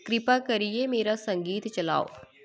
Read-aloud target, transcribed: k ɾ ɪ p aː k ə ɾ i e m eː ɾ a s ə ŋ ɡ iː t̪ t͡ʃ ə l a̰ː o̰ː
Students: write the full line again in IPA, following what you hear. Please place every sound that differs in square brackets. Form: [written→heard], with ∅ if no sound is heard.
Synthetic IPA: k ɾ ɪ p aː k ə ɾ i e m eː ɾ a s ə ŋ ɡ iː t̪ t͡ʃ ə l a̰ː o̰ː